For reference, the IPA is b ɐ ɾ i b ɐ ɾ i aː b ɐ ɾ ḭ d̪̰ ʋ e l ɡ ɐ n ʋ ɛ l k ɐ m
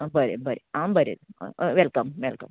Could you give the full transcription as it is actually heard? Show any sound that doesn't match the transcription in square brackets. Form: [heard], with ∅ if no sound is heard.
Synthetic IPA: b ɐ ɾ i b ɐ ɾ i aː b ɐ ɾ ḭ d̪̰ ʋ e l [k] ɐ [m] ʋ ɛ l k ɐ m